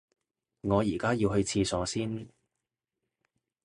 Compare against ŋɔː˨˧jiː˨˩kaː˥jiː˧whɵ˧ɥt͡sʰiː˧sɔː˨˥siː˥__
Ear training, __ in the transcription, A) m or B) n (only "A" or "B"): B